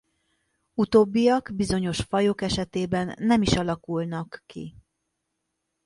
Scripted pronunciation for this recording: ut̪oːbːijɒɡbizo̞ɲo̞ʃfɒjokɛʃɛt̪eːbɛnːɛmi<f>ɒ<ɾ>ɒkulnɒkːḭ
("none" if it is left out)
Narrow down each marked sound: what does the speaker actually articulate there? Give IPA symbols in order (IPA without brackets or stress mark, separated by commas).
ʃ, l